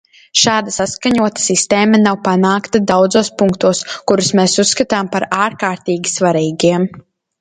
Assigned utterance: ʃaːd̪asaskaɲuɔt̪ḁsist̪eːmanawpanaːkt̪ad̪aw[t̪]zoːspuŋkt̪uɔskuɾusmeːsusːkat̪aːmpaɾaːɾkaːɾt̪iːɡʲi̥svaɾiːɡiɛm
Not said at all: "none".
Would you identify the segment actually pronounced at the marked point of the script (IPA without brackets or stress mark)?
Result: d̪